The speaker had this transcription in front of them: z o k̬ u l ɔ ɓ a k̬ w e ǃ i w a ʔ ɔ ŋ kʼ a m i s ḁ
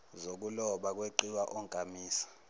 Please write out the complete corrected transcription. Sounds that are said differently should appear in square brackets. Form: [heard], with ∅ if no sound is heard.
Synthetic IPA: z o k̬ u l ɔ ɓ a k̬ w e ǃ i w a ʔ ɔ ŋ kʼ a m [iː] s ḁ